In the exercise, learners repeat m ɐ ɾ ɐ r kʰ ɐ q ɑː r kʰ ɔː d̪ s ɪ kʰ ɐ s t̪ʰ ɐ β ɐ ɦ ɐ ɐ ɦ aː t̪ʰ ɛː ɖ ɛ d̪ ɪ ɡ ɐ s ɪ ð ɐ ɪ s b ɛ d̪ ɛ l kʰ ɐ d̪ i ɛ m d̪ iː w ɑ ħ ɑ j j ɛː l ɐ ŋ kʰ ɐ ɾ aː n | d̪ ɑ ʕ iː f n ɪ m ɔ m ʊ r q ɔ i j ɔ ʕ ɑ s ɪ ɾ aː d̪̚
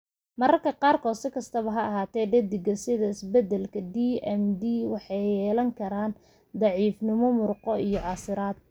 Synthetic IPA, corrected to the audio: m ɐ ɾ ɐ r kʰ ɐ q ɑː r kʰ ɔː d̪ s ɪ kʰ ɐ s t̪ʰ ɐ β ɐ ɦ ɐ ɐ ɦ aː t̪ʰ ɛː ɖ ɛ d̪ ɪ ɡ ɐ s ɪ ð ɐ ɪ s b ɛ d̪ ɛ l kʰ ɐ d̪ i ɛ m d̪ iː w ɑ ħ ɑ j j ɛː l ɐ ŋ kʰ ɐ ɾ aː n | d̪ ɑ ʕ iː f n ɪ m ɔ m ʊ r q ɔ i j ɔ ʕ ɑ s ɪ ɾ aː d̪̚